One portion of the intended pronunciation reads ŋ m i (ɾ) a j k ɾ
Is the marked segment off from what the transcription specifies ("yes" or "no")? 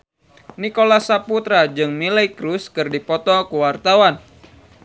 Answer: yes